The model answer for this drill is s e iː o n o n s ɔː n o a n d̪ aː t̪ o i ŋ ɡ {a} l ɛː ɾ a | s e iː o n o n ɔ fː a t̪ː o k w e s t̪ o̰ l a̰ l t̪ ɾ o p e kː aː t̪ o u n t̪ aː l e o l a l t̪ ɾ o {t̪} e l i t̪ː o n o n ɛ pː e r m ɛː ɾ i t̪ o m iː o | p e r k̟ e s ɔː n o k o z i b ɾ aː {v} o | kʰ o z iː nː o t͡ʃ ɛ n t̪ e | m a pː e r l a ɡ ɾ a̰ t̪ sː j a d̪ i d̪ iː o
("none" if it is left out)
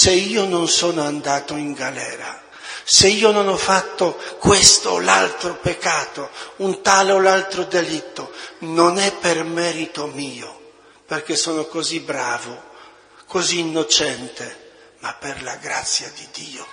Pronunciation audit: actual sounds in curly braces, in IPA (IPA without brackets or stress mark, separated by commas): a, d̪, v